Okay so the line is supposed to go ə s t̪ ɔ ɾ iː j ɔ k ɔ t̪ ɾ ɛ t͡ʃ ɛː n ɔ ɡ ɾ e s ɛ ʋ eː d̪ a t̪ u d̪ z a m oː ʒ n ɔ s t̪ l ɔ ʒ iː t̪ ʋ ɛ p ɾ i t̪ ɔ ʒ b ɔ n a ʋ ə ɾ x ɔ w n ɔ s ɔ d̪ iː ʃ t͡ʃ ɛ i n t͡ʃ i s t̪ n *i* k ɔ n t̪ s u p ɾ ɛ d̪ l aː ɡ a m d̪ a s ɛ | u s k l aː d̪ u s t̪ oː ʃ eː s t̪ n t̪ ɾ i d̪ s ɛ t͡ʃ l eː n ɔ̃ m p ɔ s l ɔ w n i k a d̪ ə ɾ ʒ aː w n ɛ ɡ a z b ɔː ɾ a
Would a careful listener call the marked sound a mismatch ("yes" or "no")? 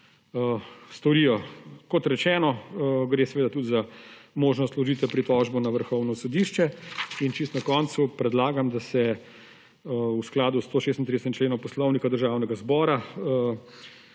yes